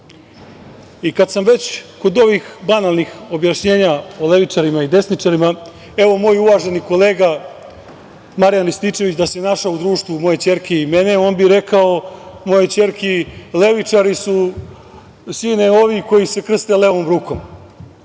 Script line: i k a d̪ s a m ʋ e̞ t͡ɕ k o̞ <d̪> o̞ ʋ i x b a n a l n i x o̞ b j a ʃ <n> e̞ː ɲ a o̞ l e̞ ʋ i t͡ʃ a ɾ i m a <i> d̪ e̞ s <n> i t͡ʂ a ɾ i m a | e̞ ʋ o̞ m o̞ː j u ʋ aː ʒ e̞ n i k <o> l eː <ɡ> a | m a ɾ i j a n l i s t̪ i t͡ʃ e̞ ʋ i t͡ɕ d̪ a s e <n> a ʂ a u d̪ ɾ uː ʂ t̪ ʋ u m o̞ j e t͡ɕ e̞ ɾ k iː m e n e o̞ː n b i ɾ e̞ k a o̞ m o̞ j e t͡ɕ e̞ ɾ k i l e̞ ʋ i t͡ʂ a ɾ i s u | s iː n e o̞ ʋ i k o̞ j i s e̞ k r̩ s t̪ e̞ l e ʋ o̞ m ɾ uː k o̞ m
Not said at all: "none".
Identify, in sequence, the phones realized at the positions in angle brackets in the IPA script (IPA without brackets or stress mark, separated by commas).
d̪, ɲ, i, n, o, ɡ, n